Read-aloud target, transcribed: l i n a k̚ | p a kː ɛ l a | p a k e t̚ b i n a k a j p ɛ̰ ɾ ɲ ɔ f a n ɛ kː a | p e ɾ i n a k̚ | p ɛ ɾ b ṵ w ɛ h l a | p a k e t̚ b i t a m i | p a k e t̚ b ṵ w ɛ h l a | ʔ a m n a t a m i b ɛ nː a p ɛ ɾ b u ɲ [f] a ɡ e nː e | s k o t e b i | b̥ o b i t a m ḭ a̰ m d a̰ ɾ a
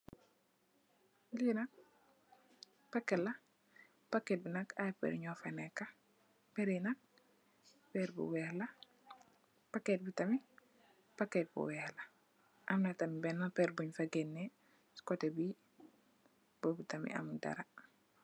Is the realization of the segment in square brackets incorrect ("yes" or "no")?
no